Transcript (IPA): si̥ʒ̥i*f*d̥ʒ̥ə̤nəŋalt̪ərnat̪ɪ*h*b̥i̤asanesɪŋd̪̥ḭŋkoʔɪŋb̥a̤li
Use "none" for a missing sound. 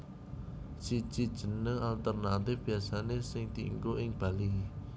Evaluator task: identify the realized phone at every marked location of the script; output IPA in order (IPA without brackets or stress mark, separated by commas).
none, f